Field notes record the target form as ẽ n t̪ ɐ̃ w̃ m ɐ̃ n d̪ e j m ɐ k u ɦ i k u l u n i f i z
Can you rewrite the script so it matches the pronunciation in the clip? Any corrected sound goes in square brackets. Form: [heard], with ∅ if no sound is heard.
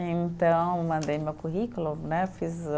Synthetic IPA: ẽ n t̪ ɐ̃ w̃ m ɐ̃ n d̪ e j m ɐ k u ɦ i k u l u n [ɛ] f i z